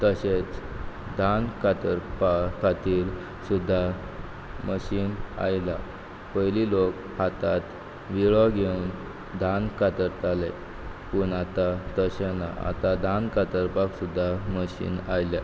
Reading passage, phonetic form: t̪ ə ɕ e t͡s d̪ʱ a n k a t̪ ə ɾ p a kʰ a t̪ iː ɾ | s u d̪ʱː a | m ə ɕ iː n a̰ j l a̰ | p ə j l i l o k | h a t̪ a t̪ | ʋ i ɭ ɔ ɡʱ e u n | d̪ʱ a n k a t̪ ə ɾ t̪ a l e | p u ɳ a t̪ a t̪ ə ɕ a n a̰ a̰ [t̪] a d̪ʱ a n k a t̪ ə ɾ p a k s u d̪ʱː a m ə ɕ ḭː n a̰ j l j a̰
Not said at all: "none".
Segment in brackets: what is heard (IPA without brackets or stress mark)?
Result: t̪